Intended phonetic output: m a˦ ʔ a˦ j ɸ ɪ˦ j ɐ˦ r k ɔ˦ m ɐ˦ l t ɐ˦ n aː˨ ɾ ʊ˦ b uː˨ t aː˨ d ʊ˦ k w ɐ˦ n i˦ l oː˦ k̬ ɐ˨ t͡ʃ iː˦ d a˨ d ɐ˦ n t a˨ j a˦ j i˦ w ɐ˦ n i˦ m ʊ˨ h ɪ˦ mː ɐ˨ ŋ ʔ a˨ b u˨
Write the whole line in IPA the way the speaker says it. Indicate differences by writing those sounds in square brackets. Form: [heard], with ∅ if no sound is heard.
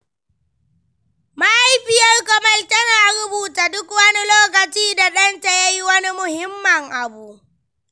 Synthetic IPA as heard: m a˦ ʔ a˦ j ɸ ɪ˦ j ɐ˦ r k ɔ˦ m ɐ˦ l t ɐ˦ n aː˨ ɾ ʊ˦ b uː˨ t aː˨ d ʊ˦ k w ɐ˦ n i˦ l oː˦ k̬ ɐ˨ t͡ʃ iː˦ d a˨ [ɗ] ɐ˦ n t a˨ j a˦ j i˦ w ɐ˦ n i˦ m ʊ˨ h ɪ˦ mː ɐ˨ ŋ ʔ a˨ b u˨